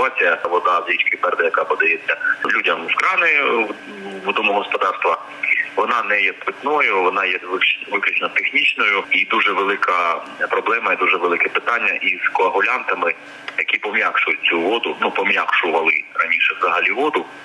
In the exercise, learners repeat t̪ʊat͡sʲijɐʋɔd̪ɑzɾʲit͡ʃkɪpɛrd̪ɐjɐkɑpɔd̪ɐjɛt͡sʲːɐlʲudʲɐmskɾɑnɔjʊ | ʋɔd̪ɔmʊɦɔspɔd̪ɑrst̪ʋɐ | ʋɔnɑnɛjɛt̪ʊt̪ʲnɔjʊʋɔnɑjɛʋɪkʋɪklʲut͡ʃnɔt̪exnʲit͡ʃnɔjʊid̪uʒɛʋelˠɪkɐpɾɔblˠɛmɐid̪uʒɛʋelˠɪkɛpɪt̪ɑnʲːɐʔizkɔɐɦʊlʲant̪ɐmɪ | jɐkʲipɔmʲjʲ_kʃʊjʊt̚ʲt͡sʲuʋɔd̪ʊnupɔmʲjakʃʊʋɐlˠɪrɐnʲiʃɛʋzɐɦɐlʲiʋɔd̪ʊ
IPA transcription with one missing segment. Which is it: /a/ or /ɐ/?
a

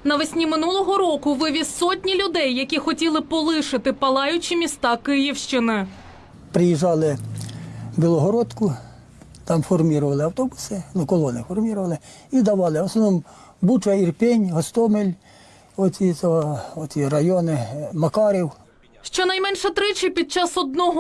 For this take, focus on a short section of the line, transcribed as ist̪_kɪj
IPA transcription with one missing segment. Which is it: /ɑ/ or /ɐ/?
ɑ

